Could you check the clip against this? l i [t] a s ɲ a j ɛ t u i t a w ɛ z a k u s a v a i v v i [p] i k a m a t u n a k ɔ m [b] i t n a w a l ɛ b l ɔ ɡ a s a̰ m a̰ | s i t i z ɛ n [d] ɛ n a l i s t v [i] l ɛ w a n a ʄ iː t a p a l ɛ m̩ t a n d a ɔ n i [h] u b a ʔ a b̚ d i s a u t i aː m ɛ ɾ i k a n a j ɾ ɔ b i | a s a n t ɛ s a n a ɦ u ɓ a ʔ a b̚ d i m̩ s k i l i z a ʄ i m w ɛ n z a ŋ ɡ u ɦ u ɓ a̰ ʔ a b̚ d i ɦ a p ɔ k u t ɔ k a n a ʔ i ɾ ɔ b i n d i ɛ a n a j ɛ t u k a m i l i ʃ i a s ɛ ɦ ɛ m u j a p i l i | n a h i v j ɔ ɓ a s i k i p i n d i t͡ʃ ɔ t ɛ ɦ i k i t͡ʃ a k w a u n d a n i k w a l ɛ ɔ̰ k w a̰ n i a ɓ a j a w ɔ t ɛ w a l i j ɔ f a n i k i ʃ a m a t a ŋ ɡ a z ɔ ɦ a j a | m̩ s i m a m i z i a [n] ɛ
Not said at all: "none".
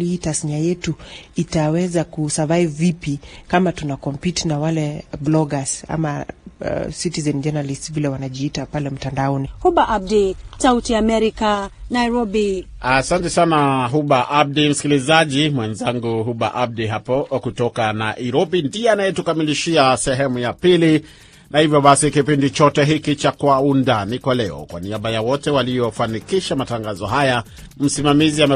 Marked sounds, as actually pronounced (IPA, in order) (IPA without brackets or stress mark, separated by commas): t, p, p, d͡ʒ, i, h, m